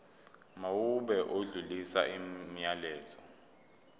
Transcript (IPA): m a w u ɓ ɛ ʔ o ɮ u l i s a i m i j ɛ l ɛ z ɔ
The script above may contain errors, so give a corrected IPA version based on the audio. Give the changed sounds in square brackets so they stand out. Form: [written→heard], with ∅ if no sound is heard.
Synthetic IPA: m a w u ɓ ɛ ʔ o ɮ u l i s a i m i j [ɛ→a] l [ɛ→ɛː] z ɔ